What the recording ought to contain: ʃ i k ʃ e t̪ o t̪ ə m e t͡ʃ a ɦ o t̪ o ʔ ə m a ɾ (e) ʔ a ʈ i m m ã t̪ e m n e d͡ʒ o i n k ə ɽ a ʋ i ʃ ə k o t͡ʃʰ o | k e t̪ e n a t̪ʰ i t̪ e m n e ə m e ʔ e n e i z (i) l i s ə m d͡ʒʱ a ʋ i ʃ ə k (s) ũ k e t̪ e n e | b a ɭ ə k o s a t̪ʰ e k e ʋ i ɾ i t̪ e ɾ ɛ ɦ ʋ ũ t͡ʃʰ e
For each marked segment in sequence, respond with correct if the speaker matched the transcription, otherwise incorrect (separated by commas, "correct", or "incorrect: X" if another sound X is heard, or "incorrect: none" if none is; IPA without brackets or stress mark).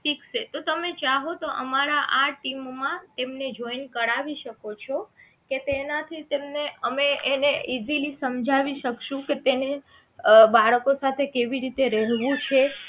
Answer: incorrect: a, correct, incorrect: ʃ